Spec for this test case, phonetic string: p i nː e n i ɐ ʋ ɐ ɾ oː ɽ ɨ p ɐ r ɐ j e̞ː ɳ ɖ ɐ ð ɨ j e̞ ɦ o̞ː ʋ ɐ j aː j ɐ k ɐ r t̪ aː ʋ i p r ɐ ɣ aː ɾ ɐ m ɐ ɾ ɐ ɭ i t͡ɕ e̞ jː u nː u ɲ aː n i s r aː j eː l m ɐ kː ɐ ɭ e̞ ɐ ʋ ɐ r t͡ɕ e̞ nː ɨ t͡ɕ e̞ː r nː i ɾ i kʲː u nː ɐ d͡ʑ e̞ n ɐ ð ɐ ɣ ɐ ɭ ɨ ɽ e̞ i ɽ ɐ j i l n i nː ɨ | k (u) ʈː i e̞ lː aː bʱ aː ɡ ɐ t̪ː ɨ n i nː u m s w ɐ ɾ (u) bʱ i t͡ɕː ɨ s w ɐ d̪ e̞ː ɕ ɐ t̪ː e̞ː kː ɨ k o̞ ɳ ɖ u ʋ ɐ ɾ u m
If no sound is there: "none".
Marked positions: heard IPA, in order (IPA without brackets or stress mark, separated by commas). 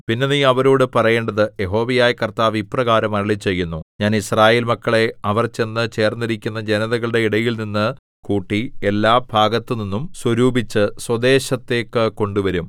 uː, uː